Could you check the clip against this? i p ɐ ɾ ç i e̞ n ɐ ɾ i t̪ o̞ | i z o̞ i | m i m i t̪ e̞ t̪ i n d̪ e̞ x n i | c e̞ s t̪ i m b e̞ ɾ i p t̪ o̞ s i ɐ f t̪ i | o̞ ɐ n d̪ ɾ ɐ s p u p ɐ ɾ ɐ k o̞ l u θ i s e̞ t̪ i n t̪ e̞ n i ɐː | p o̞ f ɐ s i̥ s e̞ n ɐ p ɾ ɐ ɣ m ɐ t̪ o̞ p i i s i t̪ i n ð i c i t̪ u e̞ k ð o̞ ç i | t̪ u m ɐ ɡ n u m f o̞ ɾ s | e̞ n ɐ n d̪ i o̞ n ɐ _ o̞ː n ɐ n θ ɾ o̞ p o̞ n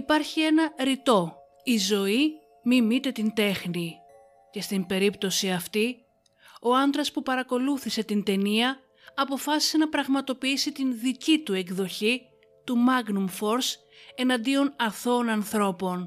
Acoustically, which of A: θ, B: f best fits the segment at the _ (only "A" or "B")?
A